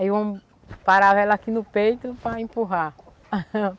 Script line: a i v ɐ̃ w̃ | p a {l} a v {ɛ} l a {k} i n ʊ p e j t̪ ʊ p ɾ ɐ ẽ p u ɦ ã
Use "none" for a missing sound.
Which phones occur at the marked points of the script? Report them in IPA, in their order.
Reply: ɾ, ɛ, k

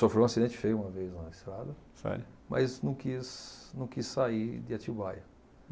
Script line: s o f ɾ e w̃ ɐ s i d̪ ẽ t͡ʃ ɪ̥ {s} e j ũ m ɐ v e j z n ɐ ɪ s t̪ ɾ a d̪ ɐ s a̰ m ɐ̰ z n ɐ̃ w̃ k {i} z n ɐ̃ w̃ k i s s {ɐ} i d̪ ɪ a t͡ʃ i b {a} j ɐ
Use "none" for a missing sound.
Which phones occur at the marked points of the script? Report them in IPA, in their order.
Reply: f, i, a, a

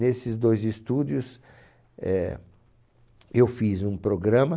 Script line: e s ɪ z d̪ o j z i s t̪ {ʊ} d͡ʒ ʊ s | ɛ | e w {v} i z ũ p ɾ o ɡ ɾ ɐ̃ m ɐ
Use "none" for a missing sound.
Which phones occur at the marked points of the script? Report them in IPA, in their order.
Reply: u, f

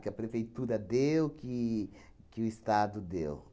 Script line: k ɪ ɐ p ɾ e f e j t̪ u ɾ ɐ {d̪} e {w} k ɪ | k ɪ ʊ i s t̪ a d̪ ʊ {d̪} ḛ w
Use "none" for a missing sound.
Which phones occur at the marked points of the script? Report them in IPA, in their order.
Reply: d̪, w, d̪

